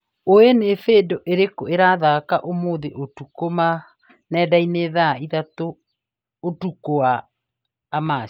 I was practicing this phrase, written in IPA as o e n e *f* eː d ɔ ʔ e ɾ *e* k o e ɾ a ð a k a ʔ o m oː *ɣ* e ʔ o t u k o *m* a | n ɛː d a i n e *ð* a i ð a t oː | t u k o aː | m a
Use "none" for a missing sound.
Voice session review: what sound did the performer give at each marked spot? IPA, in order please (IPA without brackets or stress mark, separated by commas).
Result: f, e, ð, m, ð